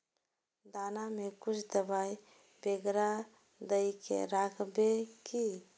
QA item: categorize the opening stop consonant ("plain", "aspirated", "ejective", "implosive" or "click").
plain